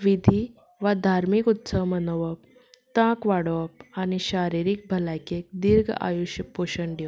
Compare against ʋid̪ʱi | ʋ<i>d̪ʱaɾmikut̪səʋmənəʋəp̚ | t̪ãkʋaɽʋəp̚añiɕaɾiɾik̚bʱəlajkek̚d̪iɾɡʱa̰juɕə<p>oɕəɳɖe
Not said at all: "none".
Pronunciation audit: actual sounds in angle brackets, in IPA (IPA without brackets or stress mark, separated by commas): a, p